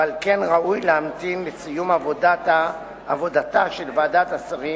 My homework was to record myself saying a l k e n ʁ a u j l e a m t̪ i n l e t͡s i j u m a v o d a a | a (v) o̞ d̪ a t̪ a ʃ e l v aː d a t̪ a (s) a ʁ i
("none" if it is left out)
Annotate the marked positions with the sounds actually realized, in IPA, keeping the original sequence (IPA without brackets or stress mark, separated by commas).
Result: v, s